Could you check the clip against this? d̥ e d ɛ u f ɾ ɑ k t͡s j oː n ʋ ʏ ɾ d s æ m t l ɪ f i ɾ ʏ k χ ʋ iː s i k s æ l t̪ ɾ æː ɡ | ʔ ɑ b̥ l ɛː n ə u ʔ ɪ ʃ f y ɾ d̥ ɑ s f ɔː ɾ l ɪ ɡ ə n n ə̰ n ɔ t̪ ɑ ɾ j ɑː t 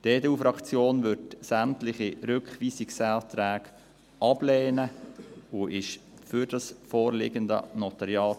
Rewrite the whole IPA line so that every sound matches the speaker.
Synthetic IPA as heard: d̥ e d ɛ u f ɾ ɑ k t͡s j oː n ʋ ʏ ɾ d s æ m t l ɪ χ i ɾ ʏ k χ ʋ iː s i k s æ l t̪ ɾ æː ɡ | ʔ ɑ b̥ l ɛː n ə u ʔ ɪ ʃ f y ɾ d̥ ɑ s f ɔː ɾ l ɪ ɡ ə n d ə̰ n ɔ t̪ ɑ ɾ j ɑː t